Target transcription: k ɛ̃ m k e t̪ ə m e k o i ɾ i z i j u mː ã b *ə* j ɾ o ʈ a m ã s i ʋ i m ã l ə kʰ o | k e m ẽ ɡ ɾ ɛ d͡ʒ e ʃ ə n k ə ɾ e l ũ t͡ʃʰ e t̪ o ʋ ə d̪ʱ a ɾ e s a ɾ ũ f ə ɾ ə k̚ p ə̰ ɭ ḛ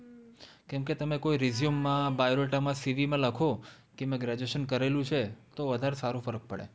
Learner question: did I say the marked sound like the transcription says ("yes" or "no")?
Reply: no